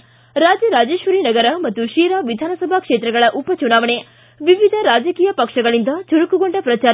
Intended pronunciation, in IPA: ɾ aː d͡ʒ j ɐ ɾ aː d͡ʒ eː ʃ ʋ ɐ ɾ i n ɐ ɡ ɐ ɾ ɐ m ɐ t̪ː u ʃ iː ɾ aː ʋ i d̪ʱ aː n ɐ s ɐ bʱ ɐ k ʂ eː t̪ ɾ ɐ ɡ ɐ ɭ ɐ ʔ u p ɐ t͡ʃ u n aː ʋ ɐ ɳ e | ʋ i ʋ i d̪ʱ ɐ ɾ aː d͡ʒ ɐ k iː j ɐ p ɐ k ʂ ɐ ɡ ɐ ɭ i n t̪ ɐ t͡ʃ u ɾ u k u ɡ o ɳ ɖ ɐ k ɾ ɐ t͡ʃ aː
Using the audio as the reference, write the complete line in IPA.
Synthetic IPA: ɾ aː d͡ʒ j ɐ ɾ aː d͡ʒ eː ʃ ʋ ɐ ɾ i n ɐ ɡ ɐ ɾ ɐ m ɐ t̪ː u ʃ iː ɾ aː ʋ i d̪ʱ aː n ɐ s ɐ bʱ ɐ k ʂ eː t̪ ɾ ɐ ɡ ɐ ɭ ɐ ʔ u p ɐ t͡ʃ u n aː ʋ ɐ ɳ e | ʋ i ʋ i d̪ʱ ɐ ɾ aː d͡ʒ ɐ k iː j ɐ p ɐ k ʂ ɐ ɡ ɐ ɭ i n d̪ ɐ t͡ʃ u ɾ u k u ɡ o ɳ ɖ ɐ p ɾ ɐ t͡ʃ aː